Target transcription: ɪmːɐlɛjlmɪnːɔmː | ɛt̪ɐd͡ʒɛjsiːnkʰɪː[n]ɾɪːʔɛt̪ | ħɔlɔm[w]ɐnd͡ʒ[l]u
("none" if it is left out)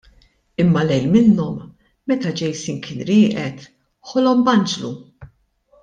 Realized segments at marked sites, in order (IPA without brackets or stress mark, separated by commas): n, b, l